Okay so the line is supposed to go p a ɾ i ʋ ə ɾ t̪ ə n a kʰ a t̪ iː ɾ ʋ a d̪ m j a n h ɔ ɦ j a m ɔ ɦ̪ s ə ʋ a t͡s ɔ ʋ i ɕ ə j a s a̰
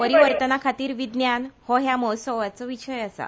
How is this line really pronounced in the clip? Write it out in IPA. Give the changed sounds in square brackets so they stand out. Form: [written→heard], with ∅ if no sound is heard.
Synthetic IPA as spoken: p [a→ə] ɾ i ʋ ə ɾ t̪ ə n a kʰ a t̪ iː ɾ ʋ [a→i] d̪ [m→n] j a n h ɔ ɦ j a m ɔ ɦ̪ s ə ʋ a t͡s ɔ ʋ i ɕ ə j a s a̰

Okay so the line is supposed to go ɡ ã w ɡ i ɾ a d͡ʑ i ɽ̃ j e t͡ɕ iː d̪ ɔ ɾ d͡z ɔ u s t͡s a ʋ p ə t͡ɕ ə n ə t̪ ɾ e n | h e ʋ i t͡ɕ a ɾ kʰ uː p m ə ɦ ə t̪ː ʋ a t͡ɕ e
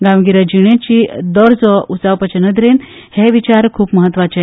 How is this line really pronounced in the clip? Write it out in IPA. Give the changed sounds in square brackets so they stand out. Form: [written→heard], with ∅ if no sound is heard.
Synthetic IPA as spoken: ɡ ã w ɡ i ɾ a d͡ʑ i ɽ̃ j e t͡ɕ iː d̪ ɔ ɾ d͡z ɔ u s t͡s a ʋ p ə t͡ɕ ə n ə [t̪→d̪] ɾ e n | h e ʋ i t͡ɕ a ɾ kʰ uː p m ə ɦ ə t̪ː ʋ a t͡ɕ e

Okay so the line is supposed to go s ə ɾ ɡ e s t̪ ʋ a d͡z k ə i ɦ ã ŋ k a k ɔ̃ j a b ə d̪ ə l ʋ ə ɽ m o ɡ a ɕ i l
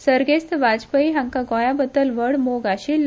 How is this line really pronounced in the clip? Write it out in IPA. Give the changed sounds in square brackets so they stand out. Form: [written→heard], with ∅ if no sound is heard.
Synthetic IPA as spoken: s ə ɾ ɡ e s t̪ ʋ a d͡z [k→p] ə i ɦ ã ŋ k a [k→ɡ] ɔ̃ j a b ə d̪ ə l ʋ ə ɽ m o ɡ a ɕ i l

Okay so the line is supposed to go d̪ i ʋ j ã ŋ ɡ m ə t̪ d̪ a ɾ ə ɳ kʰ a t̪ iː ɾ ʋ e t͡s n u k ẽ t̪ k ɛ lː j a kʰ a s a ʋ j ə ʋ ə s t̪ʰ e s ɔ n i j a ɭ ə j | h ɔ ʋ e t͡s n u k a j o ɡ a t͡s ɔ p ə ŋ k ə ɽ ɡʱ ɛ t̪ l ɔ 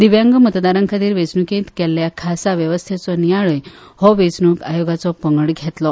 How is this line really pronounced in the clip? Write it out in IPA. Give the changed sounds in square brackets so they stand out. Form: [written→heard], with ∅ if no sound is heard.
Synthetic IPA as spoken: d̪ i ʋ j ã ŋ ɡ m ə t̪ d̪ a ɾ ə [ɳ→ŋ] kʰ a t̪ iː ɾ ʋ e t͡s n u k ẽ t̪ k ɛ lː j a kʰ a s a ʋ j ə ʋ ə s t̪ʰ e [s→t͡s] ɔ n i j a ɭ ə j | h ɔ ʋ e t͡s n u k a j o ɡ a t͡s ɔ p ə ŋ [k→ɡ] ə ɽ ɡʱ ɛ t̪ l ɔ

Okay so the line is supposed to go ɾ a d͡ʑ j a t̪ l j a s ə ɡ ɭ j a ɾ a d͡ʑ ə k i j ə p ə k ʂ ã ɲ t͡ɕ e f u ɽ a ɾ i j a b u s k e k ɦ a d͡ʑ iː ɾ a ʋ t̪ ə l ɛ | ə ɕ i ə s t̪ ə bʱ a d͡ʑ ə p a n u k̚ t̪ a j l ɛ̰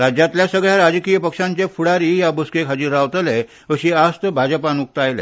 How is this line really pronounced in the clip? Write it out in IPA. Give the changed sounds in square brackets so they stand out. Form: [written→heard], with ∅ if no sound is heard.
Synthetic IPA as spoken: ɾ a d͡ʑ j a t̪ l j a s ə ɡ ɭ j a ɾ a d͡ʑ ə k i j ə p ə k ʂ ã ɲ t͡ɕ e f u ɽ a ɾ i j a b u s k e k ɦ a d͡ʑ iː ɾ a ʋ t̪ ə l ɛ | ə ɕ i [ə→a] s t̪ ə bʱ a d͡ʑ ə p a n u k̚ t̪ a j l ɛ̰

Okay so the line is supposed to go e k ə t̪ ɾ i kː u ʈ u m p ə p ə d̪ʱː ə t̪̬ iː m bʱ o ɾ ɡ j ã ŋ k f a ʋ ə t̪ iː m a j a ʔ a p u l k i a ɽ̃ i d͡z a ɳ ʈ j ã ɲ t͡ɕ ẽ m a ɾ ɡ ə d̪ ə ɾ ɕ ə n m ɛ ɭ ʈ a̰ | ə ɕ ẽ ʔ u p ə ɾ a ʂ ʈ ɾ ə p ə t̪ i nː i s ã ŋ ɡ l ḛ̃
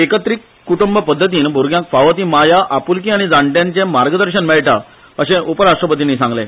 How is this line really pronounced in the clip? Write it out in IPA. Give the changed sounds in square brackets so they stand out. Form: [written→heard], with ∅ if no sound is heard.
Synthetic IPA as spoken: e k ə t̪ ɾ i kː u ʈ u m [p→b] ə p ə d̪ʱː ə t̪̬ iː [m→n] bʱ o ɾ ɡ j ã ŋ k f a ʋ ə t̪ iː m a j a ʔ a p u l k i a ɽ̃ i d͡z a ɳ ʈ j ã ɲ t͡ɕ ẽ m a ɾ ɡ ə d̪ ə ɾ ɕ ə n m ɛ ɭ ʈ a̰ | ə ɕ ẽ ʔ u p ə ɾ a ʂ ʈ ɾ ə p ə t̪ i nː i s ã ŋ ɡ l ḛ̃

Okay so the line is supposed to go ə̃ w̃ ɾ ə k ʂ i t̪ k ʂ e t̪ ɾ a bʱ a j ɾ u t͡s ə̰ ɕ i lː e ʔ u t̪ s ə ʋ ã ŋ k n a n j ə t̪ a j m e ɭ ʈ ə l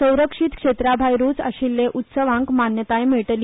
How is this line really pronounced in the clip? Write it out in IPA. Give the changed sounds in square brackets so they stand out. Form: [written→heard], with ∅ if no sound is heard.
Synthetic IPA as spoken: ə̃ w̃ ɾ ə k ʂ i t̪ k ʂ e t̪ ɾ a bʱ a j ɾ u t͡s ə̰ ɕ i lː e ʔ u t̪ s ə ʋ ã ŋ k [n→m] a n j ə t̪ a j m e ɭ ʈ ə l

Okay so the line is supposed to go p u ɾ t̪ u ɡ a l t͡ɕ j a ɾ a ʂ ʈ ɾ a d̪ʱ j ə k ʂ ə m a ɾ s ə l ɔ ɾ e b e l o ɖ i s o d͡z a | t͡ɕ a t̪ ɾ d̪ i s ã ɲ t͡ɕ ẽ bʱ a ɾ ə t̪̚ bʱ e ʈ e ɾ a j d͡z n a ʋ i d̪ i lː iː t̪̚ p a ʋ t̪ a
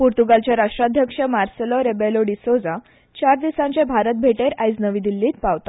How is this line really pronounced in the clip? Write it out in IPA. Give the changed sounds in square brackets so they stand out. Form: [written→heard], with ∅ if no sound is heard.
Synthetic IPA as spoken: p u ɾ t̪ u ɡ a l t͡ɕ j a ɾ a ʂ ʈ ɾ a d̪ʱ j ə k ʂ ə m a ɾ s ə l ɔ ɾ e b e l o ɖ i s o d͡z a | t͡ɕ a [t̪→∅] ɾ d̪ i s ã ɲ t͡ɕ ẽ bʱ a ɾ ə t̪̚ bʱ e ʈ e ɾ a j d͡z n [a→ə] ʋ i d̪ i lː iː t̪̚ p a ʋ t̪ a

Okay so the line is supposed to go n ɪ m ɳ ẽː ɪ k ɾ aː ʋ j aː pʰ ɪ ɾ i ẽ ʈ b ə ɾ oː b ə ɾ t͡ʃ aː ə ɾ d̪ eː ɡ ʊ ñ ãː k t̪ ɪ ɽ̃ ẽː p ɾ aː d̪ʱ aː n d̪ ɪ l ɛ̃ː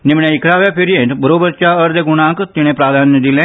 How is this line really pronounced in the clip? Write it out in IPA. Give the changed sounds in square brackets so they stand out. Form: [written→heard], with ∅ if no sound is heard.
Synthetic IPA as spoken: n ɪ m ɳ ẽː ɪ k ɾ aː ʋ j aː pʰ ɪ ɾ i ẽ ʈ b ə ɾ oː b ə ɾ t͡ʃ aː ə ɾ d̪ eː ɡ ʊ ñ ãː k t̪ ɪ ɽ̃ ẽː p ɾ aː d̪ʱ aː n d̪ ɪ l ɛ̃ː

